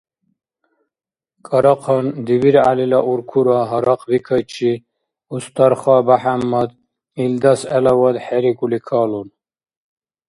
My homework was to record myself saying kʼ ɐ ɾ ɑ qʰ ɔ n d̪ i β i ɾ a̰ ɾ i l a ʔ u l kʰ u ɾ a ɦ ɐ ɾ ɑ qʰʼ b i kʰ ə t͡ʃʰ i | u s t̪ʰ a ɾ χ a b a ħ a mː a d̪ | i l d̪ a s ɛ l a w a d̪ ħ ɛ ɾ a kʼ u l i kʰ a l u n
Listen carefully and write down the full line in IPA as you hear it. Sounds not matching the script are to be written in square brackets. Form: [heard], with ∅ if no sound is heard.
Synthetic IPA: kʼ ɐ ɾ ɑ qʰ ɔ n d̪ i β i ɾ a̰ [l] i l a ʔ u [ɾ] kʰ u ɾ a ɦ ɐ ɾ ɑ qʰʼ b i kʰ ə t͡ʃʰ i | u s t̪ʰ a ɾ χ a b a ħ a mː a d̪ | i l d̪ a s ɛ l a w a d̪ ħ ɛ ɾ [i] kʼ u l i kʰ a l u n